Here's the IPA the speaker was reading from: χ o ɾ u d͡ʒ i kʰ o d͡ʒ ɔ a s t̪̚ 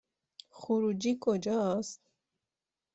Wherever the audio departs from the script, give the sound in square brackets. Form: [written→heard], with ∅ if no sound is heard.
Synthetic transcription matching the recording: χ [o→u] ɾ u d͡ʒ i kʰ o d͡ʒ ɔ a s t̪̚